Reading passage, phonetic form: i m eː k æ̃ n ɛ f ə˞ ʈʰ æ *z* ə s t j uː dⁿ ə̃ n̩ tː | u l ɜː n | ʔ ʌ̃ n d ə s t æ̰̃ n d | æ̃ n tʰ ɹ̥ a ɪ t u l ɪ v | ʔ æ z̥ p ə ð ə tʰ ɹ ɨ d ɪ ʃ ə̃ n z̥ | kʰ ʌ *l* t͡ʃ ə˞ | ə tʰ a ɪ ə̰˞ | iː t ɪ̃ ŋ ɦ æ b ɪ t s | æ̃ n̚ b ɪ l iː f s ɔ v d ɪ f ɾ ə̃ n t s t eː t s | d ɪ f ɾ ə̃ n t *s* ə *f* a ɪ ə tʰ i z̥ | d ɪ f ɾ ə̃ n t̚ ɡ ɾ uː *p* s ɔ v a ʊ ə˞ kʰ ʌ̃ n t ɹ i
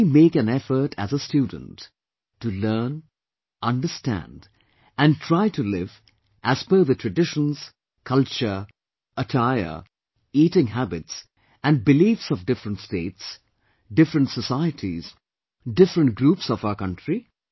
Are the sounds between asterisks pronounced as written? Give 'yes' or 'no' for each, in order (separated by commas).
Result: yes, yes, yes, no, yes